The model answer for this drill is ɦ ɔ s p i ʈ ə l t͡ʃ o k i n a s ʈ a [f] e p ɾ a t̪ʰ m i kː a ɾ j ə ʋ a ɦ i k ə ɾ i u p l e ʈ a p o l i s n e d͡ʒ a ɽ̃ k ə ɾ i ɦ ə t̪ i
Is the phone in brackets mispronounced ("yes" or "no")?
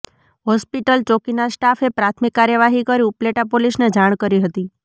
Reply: no